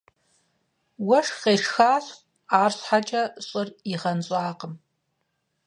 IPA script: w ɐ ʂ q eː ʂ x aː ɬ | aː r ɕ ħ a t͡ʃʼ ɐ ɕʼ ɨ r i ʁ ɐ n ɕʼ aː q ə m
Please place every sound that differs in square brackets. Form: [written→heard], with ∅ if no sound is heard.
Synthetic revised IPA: w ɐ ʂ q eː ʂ x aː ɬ | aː r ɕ ħ a t͡ʃʼ ɐ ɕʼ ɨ r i ʁ ɐ n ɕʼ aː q ə m